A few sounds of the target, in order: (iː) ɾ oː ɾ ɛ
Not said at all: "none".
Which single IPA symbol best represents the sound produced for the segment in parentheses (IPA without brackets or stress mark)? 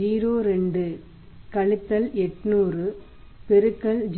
iː